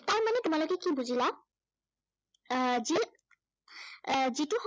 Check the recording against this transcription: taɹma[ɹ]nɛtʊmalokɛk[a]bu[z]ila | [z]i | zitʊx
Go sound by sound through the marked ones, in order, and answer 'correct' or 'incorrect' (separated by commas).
incorrect, incorrect, correct, correct